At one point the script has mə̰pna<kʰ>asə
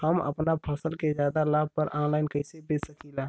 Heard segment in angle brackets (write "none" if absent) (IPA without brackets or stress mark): pʰ